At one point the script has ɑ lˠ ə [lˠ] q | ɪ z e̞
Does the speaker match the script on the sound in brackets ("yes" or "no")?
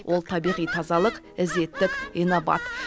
no